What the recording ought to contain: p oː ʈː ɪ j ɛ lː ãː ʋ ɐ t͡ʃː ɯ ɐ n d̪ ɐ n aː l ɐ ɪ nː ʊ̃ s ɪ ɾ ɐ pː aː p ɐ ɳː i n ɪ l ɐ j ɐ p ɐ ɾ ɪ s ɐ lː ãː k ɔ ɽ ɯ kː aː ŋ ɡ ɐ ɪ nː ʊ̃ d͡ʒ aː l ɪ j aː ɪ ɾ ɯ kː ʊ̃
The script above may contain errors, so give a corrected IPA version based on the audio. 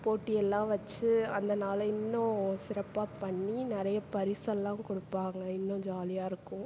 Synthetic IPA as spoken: p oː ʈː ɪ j ɛ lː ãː ʋ ɐ t͡ʃː ɯ ɐ n d̪ ɐ n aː l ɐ ɪ nː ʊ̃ s ɪ ɾ ɐ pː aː p ɐ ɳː i n ɪ ɾ ɐ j ɐ p ɐ ɾ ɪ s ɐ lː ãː k ɔ ɽ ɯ pː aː ŋ ɡ ɐ ɪ nː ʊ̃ d͡ʒ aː l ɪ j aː ɪ ɾ ɯ kː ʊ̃